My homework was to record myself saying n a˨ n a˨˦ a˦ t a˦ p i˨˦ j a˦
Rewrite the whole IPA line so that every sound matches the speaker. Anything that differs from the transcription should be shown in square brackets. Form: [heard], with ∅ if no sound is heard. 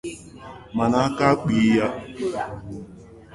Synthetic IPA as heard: [m] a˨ n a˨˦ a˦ [k] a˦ [k͡p] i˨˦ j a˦